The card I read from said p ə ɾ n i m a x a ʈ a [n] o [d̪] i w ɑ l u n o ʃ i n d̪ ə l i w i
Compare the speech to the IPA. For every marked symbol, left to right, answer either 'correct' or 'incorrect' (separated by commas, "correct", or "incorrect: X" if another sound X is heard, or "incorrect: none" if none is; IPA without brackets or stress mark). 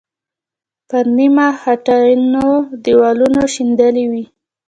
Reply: correct, correct